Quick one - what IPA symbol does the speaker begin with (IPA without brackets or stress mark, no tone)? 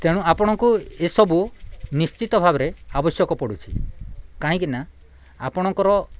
t̪